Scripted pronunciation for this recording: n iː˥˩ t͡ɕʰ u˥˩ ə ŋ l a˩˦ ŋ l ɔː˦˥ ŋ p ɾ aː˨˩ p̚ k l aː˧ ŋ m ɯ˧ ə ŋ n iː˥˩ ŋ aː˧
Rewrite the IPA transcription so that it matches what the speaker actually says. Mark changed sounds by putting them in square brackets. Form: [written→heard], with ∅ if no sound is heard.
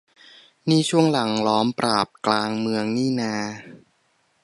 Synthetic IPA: n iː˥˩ t͡ɕʰ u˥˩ ə ŋ l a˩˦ ŋ l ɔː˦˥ [ŋ→m] p ɾ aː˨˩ p̚ k l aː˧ ŋ m ɯ˧ ə ŋ n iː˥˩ [ŋ→n] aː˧

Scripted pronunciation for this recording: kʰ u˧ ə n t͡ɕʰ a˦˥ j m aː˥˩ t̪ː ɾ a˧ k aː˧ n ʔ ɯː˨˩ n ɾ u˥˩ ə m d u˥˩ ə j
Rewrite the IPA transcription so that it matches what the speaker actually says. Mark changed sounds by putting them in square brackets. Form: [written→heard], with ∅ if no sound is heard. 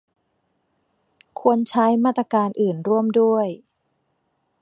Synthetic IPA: kʰ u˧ ə n t͡ɕʰ a˦˥ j m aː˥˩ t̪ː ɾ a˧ k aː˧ n ʔ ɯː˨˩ n ɾ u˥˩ ə m d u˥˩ ə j

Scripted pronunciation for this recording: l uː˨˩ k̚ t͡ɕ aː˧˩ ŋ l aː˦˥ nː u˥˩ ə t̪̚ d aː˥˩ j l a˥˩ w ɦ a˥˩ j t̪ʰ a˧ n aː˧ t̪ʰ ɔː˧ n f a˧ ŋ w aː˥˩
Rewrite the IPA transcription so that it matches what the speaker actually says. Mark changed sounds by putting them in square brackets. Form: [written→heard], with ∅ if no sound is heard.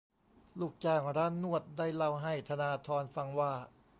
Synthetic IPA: l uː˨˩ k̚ t͡ɕ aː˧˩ ŋ [l→ɾ] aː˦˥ nː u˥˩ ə t̪̚ d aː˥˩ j l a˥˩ w ɦ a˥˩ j t̪ʰ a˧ n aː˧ t̪ʰ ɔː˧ n f a˧ ŋ w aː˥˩

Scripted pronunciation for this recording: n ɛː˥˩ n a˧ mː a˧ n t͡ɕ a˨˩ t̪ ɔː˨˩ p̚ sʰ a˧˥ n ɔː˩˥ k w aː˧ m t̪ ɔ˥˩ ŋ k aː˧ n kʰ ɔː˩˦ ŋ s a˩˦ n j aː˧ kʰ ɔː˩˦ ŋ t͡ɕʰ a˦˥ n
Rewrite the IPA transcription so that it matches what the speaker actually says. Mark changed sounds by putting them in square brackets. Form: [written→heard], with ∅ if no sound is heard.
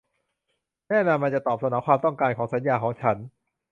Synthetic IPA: n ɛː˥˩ n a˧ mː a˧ n t͡ɕ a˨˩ t̪ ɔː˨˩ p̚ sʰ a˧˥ n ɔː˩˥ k w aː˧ m t̪ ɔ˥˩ ŋ k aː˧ n kʰ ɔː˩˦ ŋ s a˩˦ n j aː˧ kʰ ɔː˩˦ ŋ t͡ɕʰ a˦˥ n

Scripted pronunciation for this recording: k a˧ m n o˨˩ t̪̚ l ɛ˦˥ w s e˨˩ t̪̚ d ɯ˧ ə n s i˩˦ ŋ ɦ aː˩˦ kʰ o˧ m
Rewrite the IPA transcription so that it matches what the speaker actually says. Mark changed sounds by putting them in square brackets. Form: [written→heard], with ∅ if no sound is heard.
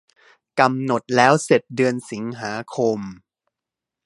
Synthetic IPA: k a˧ m n o˨˩ t̪̚ l [ɛ˦˥→ɛː˦˥] w s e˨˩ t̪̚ d ɯ˧ ə n s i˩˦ ŋ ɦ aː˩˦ kʰ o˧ m

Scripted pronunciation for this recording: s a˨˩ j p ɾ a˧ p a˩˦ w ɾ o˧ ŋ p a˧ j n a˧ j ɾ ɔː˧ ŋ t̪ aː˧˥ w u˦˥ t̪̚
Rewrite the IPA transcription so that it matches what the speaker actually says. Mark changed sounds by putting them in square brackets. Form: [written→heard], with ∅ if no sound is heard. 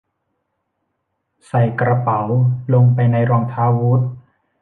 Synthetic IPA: s a˨˩ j [p→k] ɾ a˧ p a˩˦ w [ɾ→l] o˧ ŋ p a˧ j n a˧ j ɾ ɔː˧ ŋ [t̪→t̪ʰ] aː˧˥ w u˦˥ t̪̚

